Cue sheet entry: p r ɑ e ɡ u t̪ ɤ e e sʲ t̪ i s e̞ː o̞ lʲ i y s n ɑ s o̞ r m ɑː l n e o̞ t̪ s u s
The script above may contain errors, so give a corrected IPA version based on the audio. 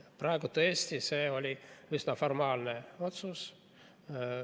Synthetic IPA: p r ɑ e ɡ u t̪ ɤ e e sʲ t̪ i s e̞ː o̞ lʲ i y s n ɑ f o̞ r m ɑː l n e o̞ t̪ s u s

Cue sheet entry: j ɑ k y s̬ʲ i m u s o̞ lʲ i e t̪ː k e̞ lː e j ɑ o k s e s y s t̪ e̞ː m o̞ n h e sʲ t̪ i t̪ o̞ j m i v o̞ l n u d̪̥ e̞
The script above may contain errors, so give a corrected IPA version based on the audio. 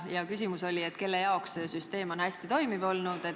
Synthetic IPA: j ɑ k y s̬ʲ i m u s o̞ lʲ i e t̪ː k e̞ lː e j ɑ o k s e s y s t̪ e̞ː m o̞ n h æ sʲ t̪ i t̪ o̞ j m i v o̞ l n u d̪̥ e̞

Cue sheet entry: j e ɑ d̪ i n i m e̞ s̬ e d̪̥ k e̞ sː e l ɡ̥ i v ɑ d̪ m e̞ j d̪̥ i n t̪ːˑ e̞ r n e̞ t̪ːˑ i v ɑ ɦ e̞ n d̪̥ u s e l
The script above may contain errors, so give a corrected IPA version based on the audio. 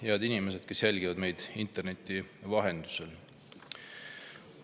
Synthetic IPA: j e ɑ d̪ i n i m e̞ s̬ e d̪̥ k e̞ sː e l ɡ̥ i v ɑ d̪ m e̞ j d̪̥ i n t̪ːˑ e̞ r n e̞ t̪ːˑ i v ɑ ɦ e̞ n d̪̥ u s e l

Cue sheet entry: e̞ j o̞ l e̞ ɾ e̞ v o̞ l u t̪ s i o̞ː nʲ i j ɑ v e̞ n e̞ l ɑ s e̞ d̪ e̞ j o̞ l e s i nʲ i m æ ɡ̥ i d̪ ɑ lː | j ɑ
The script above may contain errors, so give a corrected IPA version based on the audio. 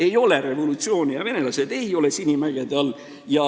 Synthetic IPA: e̞ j o̞ l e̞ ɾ e̞ v o̞ l u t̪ s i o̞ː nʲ i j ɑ v e̞ n e̞ l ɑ s e̞ d̪ e̞ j o̞ l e s i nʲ i m æ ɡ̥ e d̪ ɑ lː | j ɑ

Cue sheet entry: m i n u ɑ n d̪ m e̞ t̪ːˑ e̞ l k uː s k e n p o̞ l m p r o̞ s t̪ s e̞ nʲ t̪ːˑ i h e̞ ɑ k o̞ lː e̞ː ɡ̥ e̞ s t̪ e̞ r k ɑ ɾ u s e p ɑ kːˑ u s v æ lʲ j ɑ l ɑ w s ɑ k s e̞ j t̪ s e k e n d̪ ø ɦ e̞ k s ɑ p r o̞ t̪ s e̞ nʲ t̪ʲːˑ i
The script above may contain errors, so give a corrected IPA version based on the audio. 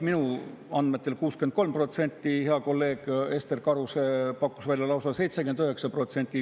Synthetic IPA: m i n u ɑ n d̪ m e̞ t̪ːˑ e̞ l k uː s k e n k o̞ l m p r o̞ t̪ s e̞ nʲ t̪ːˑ i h e̞ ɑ k o̞ lː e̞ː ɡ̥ e̞ s t̪ e̞ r k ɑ ɾ u s e p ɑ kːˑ u s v æ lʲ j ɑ l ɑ w s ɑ s e̞ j t̪ s e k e n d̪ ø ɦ e̞ k s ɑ p r o̞ t̪ s e̞ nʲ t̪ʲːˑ i

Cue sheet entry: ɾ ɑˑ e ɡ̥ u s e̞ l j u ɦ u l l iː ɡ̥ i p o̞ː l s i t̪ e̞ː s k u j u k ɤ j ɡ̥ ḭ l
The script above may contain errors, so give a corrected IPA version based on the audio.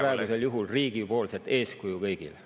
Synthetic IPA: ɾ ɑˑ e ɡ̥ u s e̞ l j u ɦ u l r iː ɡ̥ i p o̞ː l s e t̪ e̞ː s k u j u k ɤ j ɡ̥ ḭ l

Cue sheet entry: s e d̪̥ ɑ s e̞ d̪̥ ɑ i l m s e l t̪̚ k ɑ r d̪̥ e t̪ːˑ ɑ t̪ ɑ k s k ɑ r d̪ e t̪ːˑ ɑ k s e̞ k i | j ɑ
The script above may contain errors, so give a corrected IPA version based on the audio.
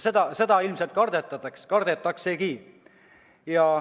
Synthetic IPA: s e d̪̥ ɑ s e̞ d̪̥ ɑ i l m s e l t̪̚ k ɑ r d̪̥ e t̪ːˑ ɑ t̪ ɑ k s k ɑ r d̪ e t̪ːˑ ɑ k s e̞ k i | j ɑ

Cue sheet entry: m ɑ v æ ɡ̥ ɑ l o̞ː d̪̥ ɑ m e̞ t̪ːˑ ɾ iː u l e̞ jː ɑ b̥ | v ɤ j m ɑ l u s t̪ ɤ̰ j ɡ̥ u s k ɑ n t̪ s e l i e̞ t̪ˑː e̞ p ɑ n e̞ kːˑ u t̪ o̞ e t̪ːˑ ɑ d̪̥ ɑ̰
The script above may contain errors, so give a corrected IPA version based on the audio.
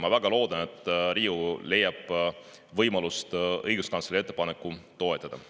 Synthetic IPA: m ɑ v æ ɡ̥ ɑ l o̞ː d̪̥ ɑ n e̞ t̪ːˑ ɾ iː u l e̞ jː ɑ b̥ | v ɤ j m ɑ l u s t̪ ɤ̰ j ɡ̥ u s k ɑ n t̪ s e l i e̞ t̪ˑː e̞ p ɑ n e̞ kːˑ u t̪ o̞ e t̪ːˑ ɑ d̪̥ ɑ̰

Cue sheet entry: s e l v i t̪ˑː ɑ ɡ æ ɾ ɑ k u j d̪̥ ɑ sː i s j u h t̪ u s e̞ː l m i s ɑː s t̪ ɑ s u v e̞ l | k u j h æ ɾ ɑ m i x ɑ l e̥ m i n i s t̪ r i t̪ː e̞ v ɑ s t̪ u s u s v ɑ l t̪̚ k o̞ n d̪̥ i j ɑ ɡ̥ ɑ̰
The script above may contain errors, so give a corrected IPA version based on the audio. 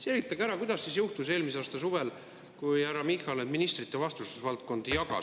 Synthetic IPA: s e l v i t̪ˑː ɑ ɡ æ ɾ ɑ k u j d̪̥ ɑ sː i s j u h t̪ u s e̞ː l m i s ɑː s t̪ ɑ s u v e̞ l | k u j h æ ɾ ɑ m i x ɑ l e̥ m i n i s t̪ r i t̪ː e̞ v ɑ s t̪ u s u s v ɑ l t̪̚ k o̞ n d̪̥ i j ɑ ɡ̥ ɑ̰

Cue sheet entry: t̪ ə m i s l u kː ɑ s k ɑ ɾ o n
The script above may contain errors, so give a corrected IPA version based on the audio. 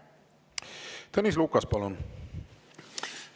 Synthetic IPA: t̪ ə n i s l u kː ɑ s p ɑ l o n

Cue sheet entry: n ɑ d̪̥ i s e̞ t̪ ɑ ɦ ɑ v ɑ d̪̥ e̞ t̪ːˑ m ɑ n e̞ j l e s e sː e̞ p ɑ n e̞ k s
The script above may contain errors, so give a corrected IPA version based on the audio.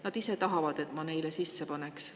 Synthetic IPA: n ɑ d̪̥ i s e̞ t̪ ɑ ɦ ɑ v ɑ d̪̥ e̞ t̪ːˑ m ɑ n e̞ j l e s i sː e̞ p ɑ n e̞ k s

